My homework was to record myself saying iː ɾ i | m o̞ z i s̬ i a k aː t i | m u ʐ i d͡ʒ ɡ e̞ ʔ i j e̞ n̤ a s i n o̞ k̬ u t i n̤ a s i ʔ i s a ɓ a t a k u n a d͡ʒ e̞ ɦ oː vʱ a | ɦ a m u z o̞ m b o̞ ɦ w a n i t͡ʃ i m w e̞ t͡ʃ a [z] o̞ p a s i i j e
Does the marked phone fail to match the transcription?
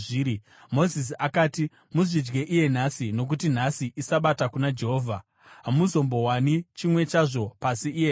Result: yes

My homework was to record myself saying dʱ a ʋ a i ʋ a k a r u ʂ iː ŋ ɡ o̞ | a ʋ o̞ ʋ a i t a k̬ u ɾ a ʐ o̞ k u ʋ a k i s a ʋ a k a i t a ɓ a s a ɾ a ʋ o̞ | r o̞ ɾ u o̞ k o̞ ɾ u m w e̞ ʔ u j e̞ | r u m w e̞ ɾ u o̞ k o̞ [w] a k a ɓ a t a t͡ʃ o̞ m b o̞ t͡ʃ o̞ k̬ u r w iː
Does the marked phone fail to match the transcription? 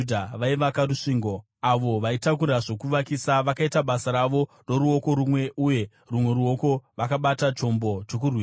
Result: yes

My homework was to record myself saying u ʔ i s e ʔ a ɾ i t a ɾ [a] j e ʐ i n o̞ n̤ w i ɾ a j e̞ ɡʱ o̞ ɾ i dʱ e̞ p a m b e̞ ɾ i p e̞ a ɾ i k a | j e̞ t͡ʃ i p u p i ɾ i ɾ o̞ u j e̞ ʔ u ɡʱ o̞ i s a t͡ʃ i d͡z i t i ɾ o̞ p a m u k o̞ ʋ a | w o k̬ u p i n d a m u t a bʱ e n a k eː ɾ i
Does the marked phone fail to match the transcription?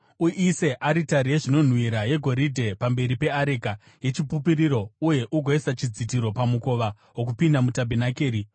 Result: yes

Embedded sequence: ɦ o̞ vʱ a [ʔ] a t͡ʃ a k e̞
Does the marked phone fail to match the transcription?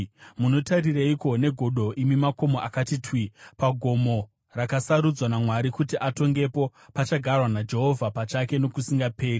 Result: yes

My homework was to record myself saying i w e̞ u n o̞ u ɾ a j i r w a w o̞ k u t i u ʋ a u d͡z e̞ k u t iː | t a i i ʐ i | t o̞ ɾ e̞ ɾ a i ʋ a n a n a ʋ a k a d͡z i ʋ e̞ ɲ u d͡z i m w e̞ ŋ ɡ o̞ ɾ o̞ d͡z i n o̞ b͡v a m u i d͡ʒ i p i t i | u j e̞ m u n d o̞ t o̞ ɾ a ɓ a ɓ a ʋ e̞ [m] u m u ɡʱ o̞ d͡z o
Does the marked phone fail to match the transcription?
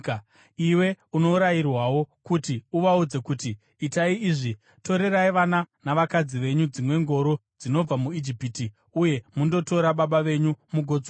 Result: yes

